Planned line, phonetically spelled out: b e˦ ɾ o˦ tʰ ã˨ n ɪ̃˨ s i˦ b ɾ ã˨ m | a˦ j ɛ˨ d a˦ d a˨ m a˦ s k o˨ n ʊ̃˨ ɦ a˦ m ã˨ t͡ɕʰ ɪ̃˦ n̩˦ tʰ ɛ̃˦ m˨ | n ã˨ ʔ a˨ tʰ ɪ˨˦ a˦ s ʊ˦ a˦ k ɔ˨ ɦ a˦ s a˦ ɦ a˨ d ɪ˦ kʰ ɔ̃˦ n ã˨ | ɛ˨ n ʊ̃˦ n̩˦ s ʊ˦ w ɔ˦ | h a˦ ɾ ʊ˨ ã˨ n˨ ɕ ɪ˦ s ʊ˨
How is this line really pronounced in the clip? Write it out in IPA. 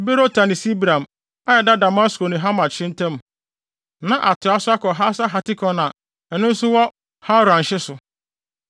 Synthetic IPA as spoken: b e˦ ɾ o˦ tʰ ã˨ n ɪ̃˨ s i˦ b ɾ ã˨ m | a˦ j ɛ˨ d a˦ d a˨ m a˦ s k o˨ n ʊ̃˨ ɦ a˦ m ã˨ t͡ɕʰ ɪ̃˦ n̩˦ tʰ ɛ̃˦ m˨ | n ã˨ ʔ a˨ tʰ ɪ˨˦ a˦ s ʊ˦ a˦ k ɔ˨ ɦ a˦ s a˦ ɦ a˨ t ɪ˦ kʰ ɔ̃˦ n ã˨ | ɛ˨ n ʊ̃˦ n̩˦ s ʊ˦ w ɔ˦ | h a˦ ɾ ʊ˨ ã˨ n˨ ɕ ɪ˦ s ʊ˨